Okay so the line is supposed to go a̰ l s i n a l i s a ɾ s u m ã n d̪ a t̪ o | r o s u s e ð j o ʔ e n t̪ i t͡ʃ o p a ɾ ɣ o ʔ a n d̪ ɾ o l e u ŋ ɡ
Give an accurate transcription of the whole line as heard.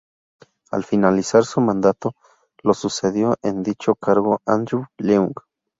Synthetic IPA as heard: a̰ l f i n a l i s a ɾ s u m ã n d̪ a t̪ o | l o s u s e ð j o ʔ e n d̪ i t͡ʃ o k a ɾ ɣ o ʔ a n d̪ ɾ u l e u ŋ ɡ